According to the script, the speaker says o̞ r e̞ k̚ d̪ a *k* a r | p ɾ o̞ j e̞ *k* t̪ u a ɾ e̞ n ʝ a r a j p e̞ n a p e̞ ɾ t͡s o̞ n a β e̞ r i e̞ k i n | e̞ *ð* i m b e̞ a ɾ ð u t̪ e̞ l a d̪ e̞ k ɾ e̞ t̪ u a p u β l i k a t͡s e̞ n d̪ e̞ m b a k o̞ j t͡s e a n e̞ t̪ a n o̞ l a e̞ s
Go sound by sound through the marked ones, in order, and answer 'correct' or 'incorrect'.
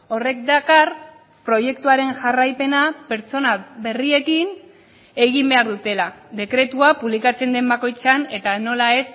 correct, correct, incorrect: ɣ

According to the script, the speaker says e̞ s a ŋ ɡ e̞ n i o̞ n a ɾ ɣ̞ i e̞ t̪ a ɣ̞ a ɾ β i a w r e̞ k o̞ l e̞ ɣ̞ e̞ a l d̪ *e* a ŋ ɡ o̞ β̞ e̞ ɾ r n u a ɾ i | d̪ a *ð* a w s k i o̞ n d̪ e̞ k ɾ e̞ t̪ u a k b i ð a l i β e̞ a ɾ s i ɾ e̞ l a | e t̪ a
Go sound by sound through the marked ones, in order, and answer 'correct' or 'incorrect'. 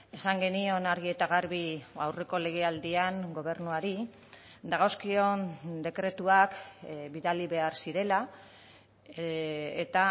incorrect: i, incorrect: ɣ

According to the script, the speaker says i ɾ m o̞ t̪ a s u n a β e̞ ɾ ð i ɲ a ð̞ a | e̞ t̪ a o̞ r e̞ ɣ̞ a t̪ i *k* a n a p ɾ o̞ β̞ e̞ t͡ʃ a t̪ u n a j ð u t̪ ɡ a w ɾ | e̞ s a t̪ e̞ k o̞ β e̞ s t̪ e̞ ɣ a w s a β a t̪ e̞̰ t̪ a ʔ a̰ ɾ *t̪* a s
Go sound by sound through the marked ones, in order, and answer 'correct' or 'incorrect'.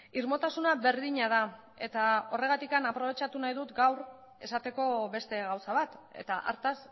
correct, correct

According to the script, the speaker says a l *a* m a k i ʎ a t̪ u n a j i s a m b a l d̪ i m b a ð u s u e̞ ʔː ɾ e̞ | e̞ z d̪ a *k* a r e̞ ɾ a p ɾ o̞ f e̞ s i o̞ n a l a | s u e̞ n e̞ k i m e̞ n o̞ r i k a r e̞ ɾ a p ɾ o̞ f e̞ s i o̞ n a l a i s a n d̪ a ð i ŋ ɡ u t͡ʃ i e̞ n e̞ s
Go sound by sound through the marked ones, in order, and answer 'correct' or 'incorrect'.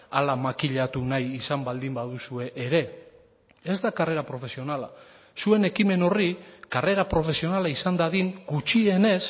correct, correct

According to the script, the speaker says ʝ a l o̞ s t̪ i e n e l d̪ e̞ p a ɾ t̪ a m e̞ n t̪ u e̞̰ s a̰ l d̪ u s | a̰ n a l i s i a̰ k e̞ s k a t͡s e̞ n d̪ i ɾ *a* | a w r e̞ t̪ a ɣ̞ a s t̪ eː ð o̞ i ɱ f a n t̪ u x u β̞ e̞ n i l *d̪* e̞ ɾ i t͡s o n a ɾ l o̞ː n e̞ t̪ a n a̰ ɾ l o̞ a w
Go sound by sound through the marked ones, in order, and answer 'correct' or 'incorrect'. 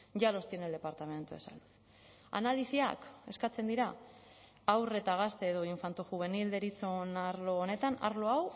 correct, correct

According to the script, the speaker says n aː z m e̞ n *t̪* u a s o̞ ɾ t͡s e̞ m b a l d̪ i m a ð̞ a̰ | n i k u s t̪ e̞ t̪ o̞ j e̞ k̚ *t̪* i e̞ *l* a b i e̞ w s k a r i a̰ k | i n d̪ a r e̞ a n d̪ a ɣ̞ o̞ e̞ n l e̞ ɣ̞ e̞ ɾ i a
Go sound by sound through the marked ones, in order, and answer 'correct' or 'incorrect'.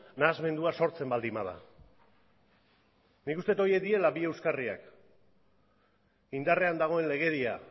incorrect: d̪, incorrect: d̪, correct

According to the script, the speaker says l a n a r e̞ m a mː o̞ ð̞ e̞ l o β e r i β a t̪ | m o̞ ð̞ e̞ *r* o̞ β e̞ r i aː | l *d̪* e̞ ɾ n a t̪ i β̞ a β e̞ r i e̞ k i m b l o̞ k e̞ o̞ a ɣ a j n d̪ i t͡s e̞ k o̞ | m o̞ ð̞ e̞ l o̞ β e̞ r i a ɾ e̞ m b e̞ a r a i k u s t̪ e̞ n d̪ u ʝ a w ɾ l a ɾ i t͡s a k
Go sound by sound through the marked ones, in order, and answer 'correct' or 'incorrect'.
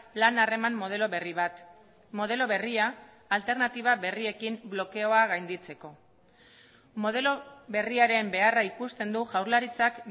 incorrect: l, incorrect: t̪

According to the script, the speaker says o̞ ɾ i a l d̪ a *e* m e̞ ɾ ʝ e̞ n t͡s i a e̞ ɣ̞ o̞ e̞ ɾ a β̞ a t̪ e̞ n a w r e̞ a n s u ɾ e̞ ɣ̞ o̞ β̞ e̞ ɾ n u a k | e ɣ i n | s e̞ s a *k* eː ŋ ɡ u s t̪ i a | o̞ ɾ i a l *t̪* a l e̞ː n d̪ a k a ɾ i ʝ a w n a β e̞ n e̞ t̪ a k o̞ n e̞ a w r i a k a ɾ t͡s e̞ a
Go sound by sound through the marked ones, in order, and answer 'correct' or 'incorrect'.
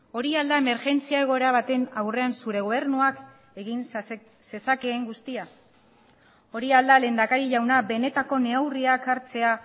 correct, correct, incorrect: d̪

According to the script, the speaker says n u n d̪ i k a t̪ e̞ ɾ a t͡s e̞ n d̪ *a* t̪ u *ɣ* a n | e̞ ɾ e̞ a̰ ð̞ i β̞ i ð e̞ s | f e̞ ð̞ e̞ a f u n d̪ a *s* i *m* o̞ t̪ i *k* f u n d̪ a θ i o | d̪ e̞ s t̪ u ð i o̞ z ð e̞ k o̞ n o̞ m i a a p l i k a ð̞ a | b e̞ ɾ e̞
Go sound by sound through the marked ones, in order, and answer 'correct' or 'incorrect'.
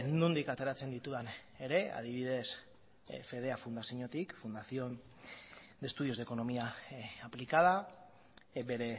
incorrect: i, incorrect: ð, correct, incorrect: ɲ, correct

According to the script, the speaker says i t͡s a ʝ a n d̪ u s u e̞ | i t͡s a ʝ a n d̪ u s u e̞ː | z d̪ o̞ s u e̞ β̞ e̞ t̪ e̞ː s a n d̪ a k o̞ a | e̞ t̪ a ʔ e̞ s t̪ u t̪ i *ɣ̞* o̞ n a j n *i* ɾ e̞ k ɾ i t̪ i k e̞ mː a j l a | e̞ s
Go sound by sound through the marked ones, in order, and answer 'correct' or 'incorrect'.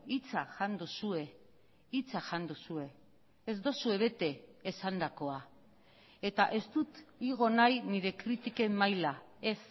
correct, correct

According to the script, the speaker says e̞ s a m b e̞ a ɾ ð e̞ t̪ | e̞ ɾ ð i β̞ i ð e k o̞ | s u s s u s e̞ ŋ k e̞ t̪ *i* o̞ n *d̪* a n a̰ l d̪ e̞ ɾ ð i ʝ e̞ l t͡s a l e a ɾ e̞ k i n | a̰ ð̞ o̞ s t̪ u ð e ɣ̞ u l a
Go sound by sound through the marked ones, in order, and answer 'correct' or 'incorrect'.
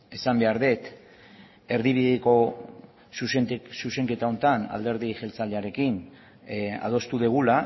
incorrect: a, incorrect: t̪

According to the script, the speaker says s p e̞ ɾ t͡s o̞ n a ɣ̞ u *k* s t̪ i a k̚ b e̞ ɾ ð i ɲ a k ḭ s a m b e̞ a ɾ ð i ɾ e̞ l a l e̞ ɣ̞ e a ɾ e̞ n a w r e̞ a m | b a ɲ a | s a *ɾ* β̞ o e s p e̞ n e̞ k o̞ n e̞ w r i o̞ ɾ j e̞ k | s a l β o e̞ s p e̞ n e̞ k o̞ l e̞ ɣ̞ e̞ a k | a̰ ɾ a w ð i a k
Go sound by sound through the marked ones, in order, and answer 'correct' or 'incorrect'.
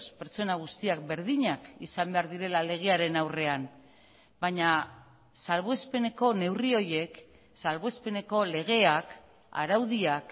incorrect: none, incorrect: l

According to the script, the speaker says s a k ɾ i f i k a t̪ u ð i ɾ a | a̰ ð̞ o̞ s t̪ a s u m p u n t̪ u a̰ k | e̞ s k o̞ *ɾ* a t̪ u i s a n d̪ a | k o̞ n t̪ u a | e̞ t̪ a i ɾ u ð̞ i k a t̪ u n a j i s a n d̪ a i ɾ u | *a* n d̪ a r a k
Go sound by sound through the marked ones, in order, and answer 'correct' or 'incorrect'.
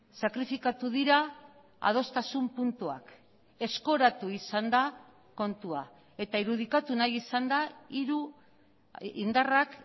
correct, incorrect: i

